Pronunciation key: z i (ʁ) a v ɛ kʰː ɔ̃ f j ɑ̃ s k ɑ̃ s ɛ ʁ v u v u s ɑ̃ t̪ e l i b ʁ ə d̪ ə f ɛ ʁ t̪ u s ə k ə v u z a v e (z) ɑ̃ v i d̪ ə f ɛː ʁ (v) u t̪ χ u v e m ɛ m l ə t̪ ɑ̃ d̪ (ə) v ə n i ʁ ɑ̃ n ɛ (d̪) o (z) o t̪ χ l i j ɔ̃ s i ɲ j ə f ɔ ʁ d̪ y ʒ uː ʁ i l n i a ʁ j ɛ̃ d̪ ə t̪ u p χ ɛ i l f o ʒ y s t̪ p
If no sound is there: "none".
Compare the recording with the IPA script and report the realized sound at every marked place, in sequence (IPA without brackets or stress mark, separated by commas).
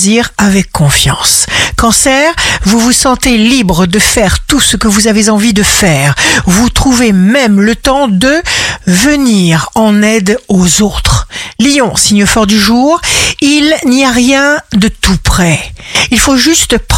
ʁ, z, v, ə, d̪, z